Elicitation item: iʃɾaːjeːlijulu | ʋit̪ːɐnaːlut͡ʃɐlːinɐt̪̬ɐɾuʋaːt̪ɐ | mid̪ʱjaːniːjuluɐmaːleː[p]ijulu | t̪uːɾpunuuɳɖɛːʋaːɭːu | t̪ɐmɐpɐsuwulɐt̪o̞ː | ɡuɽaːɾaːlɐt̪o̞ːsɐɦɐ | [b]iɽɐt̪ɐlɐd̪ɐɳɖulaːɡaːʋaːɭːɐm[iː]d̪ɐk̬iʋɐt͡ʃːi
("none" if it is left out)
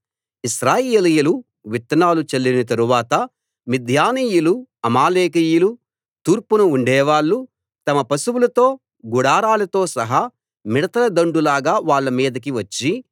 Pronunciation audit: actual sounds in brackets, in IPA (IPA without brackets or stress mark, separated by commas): k, m, iː